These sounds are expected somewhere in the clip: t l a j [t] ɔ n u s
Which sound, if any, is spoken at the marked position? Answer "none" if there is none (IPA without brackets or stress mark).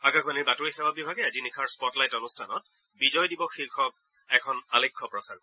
t